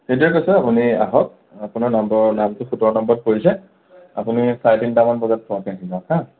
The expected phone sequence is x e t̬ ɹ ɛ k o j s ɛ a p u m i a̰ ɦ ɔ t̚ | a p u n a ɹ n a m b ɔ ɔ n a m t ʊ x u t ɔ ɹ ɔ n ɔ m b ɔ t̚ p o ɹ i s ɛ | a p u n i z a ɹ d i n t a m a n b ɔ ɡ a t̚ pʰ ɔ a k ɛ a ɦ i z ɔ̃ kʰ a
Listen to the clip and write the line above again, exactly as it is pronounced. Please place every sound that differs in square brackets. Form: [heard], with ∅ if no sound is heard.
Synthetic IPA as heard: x e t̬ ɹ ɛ k o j s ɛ a p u [n] i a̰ ɦ ɔ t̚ | a p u n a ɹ n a m b ɔ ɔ n a m t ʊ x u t ɔ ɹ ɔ n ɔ m b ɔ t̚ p o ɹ i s ɛ | a p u n i [s] a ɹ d i n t a m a n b ɔ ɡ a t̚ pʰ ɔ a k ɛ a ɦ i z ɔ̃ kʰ a